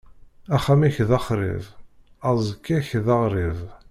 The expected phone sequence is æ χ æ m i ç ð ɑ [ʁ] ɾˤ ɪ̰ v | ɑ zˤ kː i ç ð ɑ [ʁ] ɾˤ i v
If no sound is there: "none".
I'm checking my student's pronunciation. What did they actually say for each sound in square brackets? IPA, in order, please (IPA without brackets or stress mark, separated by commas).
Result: χ, ʁ